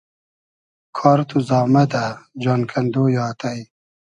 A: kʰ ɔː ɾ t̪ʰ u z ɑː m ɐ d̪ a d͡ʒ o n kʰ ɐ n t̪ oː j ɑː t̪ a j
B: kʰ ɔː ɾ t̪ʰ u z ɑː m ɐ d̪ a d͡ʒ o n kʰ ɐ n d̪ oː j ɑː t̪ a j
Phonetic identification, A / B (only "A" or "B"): B